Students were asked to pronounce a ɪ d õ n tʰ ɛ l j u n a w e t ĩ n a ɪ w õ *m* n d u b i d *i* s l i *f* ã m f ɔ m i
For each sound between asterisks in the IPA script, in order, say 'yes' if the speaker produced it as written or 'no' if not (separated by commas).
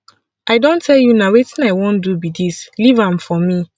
no, yes, no